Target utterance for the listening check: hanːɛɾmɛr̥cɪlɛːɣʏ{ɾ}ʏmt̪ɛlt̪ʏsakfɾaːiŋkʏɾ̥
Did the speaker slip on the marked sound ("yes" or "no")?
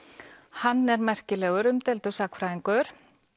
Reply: no